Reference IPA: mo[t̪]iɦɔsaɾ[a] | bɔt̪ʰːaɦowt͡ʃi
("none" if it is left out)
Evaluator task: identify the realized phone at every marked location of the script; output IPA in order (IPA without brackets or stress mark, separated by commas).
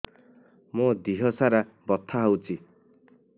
d̪, a